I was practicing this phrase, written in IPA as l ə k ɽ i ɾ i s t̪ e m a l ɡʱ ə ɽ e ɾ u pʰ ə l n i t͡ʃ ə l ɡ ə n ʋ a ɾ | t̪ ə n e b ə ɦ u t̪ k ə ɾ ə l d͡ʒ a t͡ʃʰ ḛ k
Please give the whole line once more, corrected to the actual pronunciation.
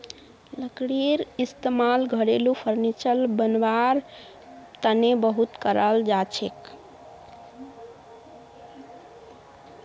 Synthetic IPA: l ə k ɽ i ɾ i s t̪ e m a l ɡʱ ə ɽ e l u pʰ ə ɾ n i t͡ʃ ə l b ə n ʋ a ɾ | t̪ ə n e b ə ɦ u t̪ k ə ɾ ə l d͡ʒ a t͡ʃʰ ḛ k